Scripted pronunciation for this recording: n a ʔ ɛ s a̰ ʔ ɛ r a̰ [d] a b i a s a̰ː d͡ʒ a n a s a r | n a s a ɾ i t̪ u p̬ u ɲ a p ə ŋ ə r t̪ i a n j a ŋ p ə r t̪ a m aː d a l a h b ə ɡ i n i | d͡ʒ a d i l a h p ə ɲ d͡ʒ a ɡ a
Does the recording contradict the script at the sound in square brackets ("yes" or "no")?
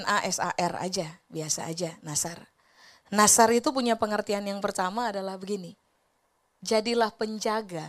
yes